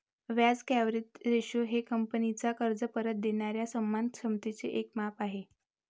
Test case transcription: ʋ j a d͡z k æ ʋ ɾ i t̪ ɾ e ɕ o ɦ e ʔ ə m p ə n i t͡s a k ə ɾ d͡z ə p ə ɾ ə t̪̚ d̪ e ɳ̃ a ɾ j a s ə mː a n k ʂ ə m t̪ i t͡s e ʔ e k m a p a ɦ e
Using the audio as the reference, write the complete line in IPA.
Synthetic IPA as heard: ʋ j a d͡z k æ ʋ ɾ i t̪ ɾ e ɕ o ɦ e k ə m p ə n i t͡s a k ə ɾ d͡z ə p ə ɾ ə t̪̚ d̪ e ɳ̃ a ɾ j a s ə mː a n k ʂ ə m t̪ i t͡s e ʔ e k m a p a ɦ e

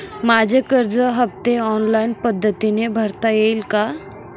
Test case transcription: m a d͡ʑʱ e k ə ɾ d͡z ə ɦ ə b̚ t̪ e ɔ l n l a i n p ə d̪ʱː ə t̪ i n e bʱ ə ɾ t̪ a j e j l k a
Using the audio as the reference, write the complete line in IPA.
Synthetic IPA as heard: m a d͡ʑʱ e k ə ɾ d͡z ə ɦ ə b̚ t̪ e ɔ n l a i n p ə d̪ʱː ə t̪ i n e bʱ ə ɾ t̪ a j e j l k a

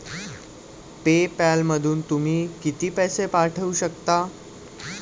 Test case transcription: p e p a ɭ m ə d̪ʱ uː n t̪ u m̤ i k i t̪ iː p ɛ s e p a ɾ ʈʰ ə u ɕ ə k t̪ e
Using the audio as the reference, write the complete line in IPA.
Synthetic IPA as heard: p e p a l m ə d̪ʱ uː n t̪ u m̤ iː k i t̪ iː p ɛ s e p a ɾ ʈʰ ə u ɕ ə k t̪ a

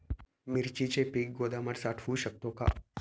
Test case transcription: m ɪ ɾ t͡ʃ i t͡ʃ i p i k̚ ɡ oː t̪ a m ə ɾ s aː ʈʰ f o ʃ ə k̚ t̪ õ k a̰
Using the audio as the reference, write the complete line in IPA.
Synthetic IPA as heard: m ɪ ɾ t͡ʃ i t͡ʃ e p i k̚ ɡ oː d̪ a m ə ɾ s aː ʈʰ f u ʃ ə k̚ t̪ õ k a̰

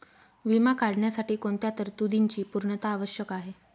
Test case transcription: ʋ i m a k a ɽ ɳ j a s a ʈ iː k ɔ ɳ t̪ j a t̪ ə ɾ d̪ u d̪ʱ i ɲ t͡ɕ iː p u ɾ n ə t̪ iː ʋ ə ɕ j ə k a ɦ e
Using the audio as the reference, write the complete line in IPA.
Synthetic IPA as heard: ʋ i m a k a ɽ ɳ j a s a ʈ iː k o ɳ t̪ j a t̪ ə ɾ t̪ u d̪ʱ i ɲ t͡ɕ iː p u ɾ ɳ ə t̪ aː ʋ ə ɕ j ə k a ɦ e

